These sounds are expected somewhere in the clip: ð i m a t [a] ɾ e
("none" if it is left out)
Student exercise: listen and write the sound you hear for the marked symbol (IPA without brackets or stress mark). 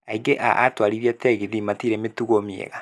i